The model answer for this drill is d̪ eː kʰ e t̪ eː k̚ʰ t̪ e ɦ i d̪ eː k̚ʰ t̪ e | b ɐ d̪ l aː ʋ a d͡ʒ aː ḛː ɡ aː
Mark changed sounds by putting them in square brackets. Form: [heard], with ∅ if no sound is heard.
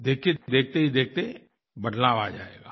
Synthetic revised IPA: d̪ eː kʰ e [d̪] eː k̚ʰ t̪ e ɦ i d̪ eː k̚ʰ t̪ e | b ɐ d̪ l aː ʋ a d͡ʒ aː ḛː ɡ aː